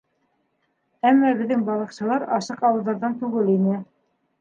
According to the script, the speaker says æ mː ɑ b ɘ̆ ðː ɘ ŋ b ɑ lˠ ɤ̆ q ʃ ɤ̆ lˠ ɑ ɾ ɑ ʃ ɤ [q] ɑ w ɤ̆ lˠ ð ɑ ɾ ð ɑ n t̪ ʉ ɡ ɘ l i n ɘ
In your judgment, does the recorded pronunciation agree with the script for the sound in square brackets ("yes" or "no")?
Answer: yes